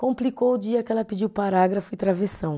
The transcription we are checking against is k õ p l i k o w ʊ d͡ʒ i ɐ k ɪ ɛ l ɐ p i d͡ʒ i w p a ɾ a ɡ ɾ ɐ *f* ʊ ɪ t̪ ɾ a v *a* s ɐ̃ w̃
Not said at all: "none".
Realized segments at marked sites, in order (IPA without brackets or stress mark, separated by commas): f, e